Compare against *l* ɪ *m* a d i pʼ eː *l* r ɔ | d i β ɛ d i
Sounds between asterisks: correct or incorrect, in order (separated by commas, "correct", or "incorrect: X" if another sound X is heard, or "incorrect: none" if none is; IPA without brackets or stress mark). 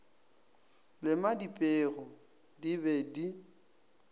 correct, correct, incorrect: none